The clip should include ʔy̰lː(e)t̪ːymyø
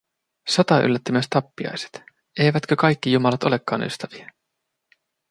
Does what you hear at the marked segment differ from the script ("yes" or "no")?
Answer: yes